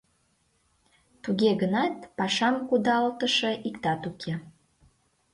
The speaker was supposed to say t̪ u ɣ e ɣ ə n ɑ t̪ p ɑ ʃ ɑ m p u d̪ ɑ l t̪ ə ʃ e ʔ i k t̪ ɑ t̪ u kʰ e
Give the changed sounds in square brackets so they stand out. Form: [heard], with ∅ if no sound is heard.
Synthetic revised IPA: t̪ u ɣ e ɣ ə n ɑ t̪ p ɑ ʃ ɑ m [k] u d̪ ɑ l t̪ ə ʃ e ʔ i k t̪ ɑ t̪ u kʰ e